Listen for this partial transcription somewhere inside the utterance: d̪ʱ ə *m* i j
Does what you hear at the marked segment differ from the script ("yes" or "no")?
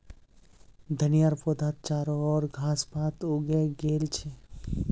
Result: yes